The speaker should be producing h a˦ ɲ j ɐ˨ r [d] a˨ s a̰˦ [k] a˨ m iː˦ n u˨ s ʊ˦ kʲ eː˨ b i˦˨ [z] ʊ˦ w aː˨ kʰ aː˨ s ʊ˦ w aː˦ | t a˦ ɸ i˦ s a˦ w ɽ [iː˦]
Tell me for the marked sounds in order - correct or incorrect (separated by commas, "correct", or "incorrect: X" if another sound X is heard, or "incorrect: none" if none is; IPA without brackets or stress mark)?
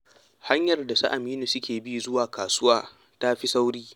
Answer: correct, incorrect: ʔ, correct, correct